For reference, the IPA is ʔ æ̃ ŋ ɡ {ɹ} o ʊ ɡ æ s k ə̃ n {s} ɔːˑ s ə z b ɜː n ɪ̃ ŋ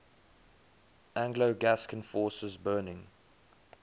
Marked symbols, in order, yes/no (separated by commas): no, no